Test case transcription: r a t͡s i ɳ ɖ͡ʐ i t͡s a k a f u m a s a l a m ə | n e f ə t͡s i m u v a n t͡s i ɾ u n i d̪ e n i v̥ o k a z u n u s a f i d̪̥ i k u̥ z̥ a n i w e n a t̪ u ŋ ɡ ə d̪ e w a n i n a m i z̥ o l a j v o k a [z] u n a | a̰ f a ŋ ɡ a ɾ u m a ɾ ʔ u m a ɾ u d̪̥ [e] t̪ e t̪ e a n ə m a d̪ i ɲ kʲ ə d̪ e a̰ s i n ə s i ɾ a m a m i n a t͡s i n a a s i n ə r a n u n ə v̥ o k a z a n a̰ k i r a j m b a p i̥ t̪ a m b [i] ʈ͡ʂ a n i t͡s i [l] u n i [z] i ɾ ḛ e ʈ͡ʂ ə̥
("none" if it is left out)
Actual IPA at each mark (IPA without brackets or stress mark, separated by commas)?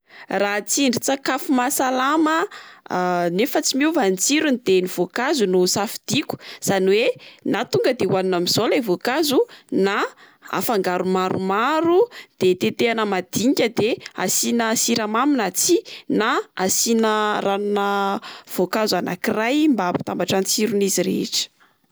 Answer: z, e, a, ɾ, z